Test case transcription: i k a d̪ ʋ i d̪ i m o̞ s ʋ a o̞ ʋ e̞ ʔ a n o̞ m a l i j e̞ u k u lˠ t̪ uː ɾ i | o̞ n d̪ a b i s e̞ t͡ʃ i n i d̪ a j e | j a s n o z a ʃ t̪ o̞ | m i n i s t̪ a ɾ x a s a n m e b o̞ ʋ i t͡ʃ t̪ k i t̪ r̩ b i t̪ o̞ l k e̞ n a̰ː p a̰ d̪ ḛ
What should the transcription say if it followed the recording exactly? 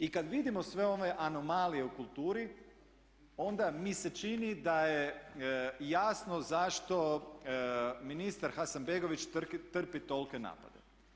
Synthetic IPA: i k a d̪ ʋ i d̪ i m o̞ s ʋ e o̞ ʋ e̞ ʔ a n o̞ m a l i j e̞ u k u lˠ t̪ uː ɾ i | o̞ n d̪ a m i s e̞ t͡ʃ i n i d̪ a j e | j a s n o z a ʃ t̪ o̞ | m i n i s t̪ a ɾ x a s a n b e ɡ o̞ ʋ i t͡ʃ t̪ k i t̪ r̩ p i t̪ o̞ l k e̞ n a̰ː p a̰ d̪ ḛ